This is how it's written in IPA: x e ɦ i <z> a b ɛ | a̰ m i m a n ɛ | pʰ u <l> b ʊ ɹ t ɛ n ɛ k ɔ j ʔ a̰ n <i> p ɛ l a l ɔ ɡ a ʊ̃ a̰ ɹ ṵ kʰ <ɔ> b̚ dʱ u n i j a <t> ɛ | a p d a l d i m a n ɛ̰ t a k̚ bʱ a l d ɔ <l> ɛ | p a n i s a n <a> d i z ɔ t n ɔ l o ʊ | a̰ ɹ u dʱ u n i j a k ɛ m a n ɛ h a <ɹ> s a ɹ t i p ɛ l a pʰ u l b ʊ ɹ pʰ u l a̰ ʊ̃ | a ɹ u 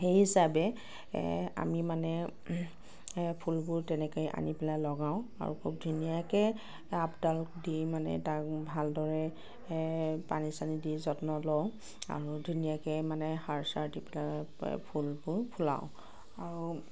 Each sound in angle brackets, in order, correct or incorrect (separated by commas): incorrect, correct, correct, incorrect, incorrect, incorrect, incorrect, correct